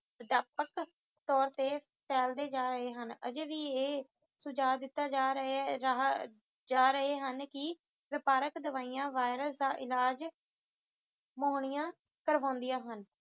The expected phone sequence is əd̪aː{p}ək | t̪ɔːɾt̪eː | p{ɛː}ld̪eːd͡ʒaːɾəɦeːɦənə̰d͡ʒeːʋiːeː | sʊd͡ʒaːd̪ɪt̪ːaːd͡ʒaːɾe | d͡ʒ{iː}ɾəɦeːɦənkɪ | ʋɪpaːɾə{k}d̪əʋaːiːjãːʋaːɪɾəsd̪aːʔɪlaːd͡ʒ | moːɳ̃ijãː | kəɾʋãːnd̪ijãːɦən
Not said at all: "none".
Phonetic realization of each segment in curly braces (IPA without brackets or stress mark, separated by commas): p, ɛː, aː, k